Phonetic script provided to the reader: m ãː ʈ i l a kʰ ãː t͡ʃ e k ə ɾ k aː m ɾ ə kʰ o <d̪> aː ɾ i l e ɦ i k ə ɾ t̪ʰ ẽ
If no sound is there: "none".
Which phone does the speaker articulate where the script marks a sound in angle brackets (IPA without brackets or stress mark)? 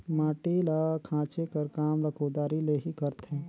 d̪